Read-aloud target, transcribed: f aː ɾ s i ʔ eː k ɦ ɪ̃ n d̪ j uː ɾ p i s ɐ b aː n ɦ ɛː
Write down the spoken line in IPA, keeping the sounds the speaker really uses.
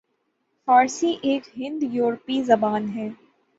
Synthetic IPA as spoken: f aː ɾ s i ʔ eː k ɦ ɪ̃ n d̪ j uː ɾ p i z ɐ b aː n ɦ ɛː